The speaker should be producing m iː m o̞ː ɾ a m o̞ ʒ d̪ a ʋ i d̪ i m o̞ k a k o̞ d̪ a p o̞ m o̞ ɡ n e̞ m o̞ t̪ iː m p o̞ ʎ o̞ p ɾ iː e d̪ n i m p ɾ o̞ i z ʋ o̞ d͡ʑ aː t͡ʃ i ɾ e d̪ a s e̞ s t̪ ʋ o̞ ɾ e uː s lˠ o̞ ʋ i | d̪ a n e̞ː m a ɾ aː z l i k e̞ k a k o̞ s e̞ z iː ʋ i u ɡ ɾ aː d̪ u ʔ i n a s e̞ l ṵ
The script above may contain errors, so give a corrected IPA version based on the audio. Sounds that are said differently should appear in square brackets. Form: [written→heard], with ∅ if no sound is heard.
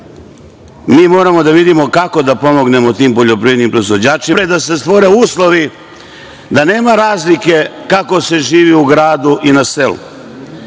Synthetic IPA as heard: m iː m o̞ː ɾ a m o̞ [ʒ→∅] d̪ a ʋ i d̪ i m o̞ k a k o̞ d̪ a p o̞ m o̞ ɡ n e̞ m o̞ t̪ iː m p o̞ ʎ o̞ p ɾ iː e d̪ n i m p ɾ o̞ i z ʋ o̞ d͡ʑ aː t͡ʃ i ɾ e d̪ a s e̞ s t̪ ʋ o̞ ɾ e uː s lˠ o̞ ʋ i | d̪ a n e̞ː m a ɾ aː z l i k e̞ k a k o̞ s e̞ [z→ʒ] iː ʋ i u ɡ ɾ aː d̪ u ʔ i n a s e̞ l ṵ